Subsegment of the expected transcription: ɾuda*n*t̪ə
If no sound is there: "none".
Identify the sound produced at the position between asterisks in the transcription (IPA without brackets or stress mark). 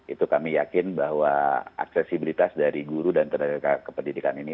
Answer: n